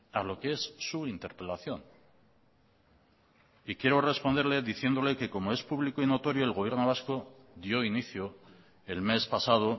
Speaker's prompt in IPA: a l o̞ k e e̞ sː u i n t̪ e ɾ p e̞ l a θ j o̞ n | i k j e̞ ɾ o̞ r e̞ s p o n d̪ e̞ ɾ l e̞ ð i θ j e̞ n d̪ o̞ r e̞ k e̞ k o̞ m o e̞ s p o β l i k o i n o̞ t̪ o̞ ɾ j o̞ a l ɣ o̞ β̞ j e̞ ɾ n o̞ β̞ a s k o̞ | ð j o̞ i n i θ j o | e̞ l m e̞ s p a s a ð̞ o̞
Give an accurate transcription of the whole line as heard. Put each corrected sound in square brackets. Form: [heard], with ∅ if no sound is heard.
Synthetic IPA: a l o̞ k e e̞ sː u i n t̪ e ɾ p e̞ l a θ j o̞ n | i k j e̞ ɾ o̞ r e̞ s p o n d̪ e̞ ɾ l e̞ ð i θ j e̞ n d̪ o̞ [l] e̞ k e̞ k o̞ m o e̞ s p [u] β l i k o i n o̞ t̪ o̞ ɾ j o̞ [e] l ɣ o̞ β̞ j e̞ ɾ n o̞ β̞ a s k o̞ | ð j o̞ i n i θ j o | e̞ l m e̞ s p a s a ð̞ o̞